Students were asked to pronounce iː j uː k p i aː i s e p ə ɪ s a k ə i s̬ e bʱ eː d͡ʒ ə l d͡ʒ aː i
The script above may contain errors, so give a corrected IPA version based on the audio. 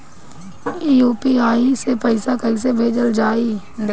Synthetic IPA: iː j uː p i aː i s e p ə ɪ s a k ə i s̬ e bʱ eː d͡ʒ ə l d͡ʒ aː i